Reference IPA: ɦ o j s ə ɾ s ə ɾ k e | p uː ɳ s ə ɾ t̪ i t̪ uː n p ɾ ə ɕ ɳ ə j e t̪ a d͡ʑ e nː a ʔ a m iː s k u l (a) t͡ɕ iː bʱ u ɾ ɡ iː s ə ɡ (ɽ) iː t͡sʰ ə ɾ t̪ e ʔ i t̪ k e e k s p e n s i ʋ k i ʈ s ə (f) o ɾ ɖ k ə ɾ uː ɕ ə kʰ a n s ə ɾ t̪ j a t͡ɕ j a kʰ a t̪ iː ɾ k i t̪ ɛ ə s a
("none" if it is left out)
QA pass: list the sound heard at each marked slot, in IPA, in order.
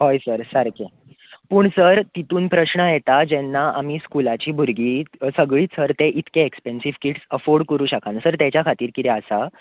a, ɭ, f

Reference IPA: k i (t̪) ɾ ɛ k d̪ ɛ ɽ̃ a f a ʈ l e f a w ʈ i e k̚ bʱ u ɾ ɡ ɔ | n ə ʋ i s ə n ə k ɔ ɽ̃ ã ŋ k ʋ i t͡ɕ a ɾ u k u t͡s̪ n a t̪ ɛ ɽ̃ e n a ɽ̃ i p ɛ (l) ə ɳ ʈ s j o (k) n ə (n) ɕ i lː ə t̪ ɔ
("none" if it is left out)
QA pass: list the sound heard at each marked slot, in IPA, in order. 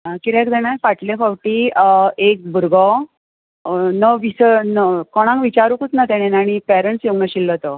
none, ɾ, ɡ, none

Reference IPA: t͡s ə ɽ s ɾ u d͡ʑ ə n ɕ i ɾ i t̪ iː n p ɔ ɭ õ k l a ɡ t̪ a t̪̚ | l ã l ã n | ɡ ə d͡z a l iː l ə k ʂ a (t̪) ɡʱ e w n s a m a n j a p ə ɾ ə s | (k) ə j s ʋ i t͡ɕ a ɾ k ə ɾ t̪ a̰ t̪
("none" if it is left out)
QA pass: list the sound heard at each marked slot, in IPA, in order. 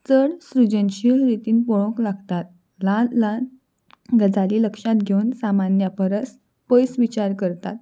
t̪, p

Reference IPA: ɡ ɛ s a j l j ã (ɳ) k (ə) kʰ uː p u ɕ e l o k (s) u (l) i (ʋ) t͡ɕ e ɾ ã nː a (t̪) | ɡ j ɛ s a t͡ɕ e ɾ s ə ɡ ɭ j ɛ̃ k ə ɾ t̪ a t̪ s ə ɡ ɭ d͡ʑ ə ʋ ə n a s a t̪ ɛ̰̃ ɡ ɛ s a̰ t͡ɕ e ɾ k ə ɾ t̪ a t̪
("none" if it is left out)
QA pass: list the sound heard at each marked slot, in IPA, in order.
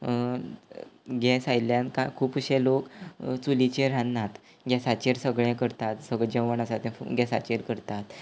n, a, t͡s, l, none, t̪

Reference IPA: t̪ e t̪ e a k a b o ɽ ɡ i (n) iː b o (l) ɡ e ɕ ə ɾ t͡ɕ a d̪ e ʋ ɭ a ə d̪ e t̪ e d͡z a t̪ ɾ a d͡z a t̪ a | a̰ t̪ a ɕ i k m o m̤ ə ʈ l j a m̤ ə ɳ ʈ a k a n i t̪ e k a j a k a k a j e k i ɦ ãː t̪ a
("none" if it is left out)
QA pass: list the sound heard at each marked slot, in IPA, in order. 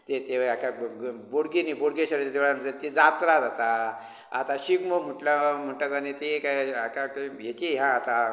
n, ɽ

